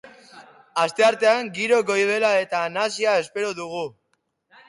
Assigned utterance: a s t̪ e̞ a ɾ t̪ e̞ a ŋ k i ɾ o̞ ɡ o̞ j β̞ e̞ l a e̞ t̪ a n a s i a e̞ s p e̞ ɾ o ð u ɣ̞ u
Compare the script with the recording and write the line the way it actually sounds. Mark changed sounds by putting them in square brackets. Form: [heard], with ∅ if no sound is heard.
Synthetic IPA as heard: a s t̪ e̞ a ɾ t̪ e̞ a ŋ [ɡ] i ɾ o̞ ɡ o̞ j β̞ e̞ l a e̞ t̪ a n a s i a e̞ s p e̞ ɾ o ð u ɣ̞ u